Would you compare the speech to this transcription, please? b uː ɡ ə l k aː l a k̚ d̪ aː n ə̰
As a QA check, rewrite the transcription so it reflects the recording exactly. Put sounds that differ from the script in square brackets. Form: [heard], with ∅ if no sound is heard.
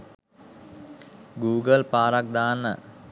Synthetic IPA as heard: [ɡ] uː ɡ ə l [p] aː [ɾ] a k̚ d̪ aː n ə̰